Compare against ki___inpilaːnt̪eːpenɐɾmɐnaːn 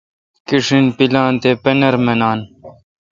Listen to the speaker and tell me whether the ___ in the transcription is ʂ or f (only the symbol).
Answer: ʂ